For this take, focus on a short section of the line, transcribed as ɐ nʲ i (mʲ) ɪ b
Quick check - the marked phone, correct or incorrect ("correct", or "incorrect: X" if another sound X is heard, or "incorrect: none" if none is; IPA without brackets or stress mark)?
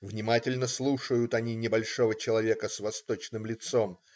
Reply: incorrect: nʲ